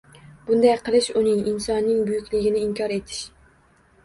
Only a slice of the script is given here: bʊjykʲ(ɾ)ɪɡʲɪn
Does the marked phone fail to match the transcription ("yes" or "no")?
yes